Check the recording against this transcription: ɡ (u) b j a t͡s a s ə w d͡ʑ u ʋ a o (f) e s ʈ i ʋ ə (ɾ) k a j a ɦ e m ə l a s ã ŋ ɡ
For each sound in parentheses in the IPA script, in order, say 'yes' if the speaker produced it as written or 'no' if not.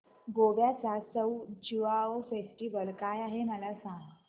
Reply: no, yes, no

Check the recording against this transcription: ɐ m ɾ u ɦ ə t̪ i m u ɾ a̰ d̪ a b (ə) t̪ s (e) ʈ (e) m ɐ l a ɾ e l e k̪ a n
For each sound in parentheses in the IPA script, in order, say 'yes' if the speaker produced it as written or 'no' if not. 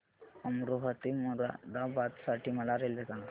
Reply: no, no, no

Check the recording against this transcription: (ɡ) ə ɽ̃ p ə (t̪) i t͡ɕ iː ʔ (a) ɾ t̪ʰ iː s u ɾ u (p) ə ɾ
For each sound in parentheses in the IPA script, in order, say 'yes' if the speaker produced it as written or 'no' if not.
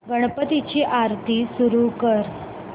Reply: yes, yes, yes, no

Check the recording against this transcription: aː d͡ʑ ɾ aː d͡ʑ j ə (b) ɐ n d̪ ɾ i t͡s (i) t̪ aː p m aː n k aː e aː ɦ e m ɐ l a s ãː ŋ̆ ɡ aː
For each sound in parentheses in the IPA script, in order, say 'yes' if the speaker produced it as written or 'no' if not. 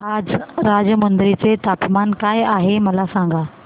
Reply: no, no

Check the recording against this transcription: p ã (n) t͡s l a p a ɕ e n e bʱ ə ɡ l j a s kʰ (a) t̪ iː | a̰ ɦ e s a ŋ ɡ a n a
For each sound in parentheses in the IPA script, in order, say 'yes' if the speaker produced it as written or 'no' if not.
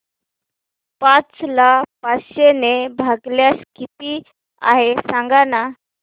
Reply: no, no

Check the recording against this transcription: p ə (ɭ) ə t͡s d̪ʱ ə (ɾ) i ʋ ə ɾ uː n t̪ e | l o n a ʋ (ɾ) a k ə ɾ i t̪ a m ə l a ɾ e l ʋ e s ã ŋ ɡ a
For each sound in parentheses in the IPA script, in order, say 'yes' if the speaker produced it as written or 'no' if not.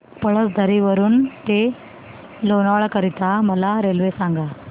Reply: yes, yes, no

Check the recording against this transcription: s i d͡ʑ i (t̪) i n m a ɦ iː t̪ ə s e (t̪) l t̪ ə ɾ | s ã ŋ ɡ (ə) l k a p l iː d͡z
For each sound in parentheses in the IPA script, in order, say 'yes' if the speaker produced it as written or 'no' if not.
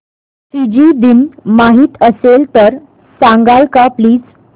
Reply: no, no, no

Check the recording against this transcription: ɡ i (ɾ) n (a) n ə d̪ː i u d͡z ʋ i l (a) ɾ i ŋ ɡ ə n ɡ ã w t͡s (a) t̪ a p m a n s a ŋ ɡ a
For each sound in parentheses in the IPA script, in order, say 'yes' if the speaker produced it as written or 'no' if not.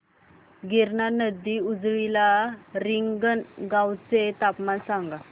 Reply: yes, yes, yes, no

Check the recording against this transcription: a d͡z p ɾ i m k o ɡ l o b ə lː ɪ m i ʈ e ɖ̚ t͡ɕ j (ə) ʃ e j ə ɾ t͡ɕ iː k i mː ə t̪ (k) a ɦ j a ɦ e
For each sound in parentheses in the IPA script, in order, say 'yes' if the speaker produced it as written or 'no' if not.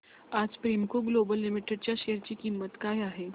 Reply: no, yes

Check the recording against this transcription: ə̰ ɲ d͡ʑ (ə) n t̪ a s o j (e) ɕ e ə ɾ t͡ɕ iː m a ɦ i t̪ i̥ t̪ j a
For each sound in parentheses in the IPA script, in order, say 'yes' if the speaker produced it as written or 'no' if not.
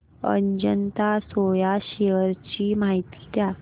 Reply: yes, no

